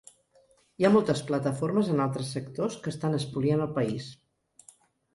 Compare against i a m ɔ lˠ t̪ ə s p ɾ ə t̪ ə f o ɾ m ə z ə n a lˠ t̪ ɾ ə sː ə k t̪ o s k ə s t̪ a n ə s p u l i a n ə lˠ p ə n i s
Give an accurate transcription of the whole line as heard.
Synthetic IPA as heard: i a m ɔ lˠ t̪ ə s p l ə t̪ ə f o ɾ m ə z ə n a lˠ t̪ ɾ ə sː ə k t̪ o s k ə s t̪ a n ə s p u l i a n ə lˠ p ə i s